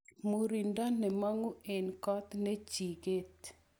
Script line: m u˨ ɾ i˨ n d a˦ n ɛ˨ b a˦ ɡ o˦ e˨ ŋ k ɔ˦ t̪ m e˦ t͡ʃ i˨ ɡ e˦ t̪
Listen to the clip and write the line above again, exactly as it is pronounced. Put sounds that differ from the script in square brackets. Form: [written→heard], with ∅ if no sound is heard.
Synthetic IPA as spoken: m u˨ ɾ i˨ n d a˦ n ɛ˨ [b→m] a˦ [ɡ→ŋ] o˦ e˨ [ŋ→n] k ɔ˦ t̪ [m→n] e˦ t͡ʃ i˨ ɡ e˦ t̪